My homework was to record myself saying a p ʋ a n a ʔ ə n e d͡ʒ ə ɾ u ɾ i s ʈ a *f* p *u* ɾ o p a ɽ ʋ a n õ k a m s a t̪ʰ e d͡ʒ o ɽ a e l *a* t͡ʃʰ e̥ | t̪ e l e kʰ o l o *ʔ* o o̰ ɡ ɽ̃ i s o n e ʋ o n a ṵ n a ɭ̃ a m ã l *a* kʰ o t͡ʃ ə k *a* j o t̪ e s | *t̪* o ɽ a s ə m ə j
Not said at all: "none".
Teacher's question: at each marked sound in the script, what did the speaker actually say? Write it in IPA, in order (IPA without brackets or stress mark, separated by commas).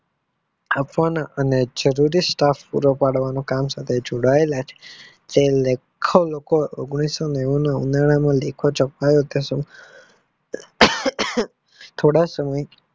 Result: f, u, a, k, e, a, t̪ʰ